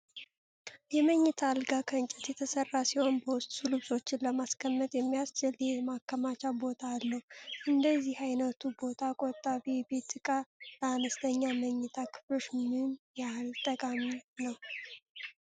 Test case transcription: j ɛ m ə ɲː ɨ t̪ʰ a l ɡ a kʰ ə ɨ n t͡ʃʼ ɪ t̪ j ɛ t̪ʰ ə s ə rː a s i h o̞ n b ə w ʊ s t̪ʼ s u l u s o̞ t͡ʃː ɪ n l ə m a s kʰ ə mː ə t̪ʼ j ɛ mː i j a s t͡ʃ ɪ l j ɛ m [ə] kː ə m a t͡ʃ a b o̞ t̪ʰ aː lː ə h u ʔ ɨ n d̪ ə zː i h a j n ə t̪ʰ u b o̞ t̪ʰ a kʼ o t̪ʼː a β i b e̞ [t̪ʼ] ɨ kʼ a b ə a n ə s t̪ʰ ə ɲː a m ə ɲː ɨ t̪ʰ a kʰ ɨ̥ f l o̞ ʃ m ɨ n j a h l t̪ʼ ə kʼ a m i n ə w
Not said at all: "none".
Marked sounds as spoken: a, t̪

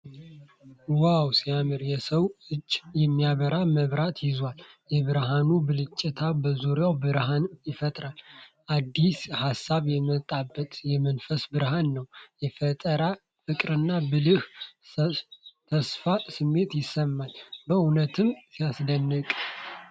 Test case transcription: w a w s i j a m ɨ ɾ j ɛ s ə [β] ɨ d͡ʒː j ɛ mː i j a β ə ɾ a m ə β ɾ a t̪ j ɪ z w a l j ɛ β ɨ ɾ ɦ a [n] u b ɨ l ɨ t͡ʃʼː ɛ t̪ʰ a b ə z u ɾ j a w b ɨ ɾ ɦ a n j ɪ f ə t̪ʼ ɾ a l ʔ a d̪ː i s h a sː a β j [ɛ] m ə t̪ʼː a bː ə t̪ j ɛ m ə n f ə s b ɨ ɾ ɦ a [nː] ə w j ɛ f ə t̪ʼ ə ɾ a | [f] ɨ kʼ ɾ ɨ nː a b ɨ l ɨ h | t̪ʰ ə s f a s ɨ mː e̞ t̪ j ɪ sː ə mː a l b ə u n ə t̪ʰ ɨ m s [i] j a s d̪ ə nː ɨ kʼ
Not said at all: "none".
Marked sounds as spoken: w, n, ɛ, nː, f, i

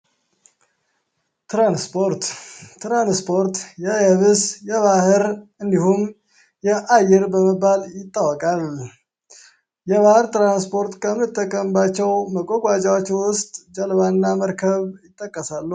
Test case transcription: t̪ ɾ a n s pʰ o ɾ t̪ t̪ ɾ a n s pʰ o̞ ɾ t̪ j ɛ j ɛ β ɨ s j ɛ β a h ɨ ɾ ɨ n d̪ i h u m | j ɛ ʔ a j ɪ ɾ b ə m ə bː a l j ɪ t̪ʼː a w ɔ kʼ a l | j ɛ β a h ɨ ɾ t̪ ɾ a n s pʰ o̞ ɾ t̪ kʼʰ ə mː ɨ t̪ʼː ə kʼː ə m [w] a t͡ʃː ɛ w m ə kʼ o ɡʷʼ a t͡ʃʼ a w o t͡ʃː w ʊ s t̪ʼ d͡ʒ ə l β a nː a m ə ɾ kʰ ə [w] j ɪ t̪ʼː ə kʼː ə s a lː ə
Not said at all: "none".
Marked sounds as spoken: b, β

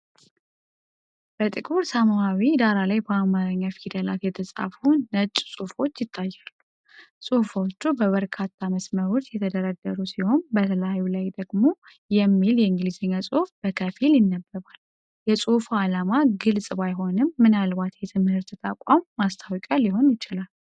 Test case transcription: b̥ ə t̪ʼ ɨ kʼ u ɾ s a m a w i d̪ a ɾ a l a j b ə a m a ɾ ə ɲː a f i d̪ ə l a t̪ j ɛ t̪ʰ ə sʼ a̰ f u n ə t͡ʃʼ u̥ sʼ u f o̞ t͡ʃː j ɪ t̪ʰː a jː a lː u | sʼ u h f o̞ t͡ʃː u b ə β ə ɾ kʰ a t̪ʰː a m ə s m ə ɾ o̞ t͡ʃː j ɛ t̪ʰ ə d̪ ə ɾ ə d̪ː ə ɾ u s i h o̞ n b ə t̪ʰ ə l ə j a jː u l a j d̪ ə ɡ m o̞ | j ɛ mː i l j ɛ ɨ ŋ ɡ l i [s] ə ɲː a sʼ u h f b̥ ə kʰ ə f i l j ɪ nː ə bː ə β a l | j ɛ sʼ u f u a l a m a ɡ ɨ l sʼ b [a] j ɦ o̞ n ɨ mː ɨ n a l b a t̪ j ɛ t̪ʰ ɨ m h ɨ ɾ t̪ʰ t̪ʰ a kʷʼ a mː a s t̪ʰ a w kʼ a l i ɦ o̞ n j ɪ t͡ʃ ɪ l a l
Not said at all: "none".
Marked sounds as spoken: z, a

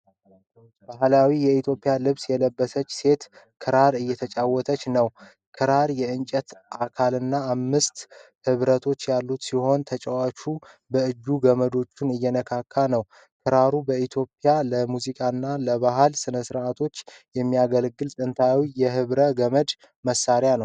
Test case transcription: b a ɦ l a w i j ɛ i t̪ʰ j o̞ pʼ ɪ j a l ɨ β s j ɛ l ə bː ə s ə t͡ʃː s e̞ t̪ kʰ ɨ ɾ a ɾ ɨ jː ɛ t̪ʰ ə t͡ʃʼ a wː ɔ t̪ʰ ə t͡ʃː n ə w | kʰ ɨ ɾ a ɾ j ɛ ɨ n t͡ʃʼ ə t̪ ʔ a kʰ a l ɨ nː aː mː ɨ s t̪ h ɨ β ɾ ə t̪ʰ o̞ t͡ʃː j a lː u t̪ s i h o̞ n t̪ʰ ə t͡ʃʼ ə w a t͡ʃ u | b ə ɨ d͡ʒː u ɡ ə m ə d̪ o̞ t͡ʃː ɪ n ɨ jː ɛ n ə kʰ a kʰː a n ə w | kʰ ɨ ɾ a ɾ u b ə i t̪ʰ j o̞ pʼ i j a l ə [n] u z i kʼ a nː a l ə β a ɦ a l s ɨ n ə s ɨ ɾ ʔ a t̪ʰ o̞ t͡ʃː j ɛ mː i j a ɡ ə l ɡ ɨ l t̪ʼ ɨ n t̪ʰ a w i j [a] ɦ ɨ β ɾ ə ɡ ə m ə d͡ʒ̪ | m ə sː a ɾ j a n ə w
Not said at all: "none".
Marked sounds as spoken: m, ɛ

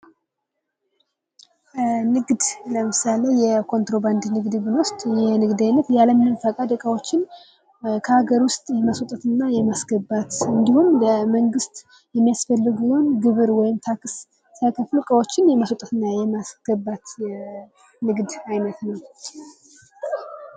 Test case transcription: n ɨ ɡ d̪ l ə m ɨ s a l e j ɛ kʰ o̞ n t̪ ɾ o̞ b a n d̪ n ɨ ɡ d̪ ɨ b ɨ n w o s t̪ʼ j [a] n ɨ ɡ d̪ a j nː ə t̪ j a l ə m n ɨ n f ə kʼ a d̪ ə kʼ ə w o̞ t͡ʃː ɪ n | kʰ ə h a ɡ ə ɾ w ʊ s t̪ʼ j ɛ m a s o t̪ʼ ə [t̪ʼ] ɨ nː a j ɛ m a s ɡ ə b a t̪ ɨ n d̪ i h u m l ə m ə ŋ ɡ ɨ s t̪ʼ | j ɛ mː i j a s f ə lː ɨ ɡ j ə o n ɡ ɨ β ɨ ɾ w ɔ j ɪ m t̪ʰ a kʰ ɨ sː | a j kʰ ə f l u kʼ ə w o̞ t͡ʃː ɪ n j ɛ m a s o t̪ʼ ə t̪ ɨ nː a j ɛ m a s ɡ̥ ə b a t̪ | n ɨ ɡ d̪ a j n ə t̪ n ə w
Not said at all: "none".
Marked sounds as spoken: ɛ, t̪

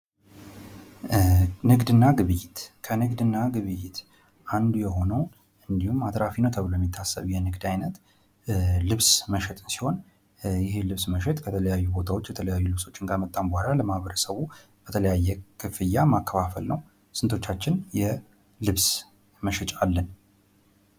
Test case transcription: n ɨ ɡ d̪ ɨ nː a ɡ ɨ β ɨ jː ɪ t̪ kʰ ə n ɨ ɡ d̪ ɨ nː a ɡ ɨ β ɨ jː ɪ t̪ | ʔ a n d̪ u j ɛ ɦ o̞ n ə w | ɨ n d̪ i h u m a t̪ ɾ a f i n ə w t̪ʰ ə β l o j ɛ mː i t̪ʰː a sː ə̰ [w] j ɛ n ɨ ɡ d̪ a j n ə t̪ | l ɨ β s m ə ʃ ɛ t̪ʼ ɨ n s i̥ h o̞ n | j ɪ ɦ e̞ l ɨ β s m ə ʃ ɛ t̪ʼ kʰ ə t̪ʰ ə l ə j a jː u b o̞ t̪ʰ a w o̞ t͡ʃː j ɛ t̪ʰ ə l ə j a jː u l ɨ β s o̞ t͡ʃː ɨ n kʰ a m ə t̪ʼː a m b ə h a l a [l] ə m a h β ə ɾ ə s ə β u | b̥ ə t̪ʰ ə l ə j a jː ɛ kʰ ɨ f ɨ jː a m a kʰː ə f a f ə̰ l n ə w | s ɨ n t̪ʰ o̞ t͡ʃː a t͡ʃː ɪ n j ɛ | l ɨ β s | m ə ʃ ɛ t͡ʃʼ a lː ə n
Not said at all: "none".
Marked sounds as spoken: β, l

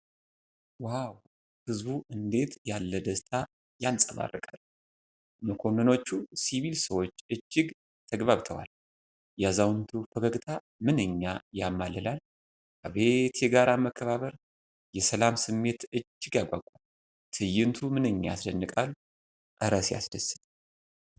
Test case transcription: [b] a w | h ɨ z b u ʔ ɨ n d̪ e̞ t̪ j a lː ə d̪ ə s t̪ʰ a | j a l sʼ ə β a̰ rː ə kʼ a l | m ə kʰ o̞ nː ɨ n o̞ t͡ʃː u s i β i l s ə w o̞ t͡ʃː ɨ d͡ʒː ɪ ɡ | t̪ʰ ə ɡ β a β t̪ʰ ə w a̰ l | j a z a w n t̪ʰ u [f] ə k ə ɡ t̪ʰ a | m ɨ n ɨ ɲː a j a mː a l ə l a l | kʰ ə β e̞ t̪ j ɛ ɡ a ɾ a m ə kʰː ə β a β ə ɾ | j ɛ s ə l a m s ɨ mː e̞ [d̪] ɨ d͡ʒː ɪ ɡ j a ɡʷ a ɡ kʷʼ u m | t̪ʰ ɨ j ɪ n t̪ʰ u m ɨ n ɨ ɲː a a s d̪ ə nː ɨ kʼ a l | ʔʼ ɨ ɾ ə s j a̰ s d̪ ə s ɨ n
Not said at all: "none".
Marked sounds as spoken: w, f, t̪

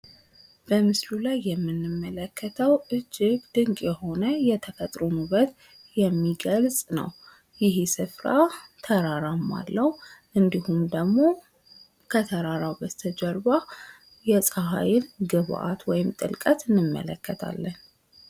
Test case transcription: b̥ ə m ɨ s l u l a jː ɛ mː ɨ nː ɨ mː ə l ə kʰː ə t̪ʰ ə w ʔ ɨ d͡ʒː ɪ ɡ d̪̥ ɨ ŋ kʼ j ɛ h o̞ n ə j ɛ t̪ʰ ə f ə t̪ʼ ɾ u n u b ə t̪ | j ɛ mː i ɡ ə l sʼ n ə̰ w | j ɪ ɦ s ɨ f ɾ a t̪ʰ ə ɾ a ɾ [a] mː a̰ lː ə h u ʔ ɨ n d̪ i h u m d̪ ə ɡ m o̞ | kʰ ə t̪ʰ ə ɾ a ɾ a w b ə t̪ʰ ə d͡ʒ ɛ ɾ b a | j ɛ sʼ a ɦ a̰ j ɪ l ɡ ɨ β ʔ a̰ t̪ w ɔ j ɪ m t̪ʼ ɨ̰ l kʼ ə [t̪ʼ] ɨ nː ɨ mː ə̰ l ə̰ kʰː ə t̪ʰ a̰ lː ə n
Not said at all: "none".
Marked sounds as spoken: a, t̪

